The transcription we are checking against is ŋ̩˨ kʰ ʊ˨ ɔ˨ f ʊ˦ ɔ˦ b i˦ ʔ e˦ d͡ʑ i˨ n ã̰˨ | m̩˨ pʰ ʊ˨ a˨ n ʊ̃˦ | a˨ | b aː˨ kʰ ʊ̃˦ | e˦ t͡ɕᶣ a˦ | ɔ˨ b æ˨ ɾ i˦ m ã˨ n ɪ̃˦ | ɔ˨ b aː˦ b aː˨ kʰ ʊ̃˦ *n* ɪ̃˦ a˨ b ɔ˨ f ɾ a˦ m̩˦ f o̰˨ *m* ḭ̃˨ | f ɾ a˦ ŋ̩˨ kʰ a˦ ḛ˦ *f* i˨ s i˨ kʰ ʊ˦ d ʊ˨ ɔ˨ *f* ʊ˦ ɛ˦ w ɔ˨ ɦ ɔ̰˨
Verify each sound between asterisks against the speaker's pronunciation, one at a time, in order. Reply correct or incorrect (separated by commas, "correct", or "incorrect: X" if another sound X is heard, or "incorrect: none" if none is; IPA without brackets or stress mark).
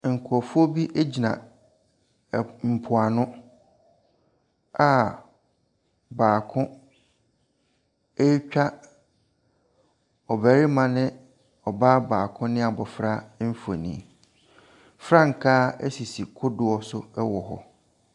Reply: correct, incorrect: n, incorrect: s, incorrect: s